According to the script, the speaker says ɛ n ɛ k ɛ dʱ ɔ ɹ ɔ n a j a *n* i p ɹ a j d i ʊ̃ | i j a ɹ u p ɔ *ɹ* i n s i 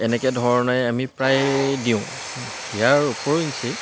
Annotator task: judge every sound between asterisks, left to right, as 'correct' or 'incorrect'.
incorrect: m, correct

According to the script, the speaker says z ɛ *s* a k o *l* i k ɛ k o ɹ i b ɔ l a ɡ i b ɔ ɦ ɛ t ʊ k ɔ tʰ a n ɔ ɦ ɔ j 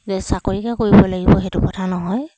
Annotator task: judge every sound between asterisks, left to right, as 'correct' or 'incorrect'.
correct, incorrect: ɹ

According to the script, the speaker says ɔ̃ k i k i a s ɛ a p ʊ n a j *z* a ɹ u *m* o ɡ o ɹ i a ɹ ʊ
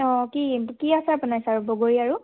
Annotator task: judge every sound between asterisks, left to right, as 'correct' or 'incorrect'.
incorrect: s, incorrect: b

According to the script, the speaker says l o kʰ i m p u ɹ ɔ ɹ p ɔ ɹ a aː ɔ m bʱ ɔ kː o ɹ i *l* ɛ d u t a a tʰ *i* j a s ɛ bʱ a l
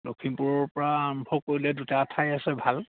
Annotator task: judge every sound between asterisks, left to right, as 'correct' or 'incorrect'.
correct, incorrect: a

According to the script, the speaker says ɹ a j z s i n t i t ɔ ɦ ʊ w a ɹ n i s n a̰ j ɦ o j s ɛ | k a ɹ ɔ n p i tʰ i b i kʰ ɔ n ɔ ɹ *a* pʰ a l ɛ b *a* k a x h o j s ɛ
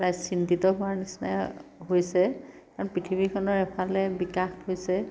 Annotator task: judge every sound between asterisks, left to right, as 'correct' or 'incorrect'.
incorrect: ɛ, incorrect: i

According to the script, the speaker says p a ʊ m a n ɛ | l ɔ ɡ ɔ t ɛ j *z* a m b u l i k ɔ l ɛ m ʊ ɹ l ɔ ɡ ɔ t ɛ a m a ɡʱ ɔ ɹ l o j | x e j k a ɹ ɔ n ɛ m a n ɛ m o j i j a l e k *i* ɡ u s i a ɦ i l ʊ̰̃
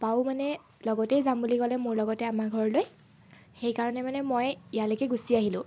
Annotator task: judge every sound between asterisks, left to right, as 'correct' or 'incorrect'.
correct, incorrect: ɛ

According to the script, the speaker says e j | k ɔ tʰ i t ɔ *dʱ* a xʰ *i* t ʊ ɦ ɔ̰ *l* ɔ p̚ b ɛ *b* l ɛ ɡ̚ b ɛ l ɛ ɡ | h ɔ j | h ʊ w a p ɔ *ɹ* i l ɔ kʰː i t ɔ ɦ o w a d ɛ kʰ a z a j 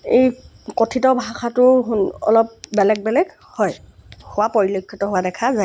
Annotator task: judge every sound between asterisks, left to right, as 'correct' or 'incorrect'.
incorrect: bʱ, incorrect: a, correct, incorrect: none, correct

